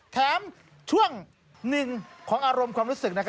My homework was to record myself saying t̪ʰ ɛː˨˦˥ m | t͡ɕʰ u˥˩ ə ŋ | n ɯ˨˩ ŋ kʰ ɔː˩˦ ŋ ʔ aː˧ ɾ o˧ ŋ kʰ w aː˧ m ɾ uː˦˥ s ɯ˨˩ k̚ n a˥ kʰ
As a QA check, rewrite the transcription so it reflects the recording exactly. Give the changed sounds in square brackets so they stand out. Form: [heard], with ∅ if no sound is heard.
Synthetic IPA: t̪ʰ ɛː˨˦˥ m | t͡ɕʰ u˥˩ ə ŋ | n ɯ˨˩ ŋ kʰ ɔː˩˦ ŋ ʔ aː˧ ɾ o˧ [m] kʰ w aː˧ m ɾ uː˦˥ s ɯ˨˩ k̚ n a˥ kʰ